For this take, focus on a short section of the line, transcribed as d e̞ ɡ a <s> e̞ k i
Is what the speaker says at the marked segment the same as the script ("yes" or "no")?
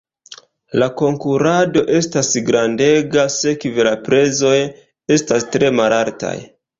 yes